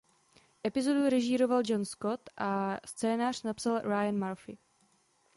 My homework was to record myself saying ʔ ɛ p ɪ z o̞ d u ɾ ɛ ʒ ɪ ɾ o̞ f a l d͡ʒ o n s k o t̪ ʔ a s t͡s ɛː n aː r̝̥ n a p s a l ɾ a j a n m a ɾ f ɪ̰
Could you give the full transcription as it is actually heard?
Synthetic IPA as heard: ʔ ɛ p ɪ z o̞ d u ɾ ɛ ʒ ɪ ɾ o̞ v a l d͡ʒ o n s k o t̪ ʔ a s t͡s ɛː n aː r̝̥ n a p s a l ɾ a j a n m a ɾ f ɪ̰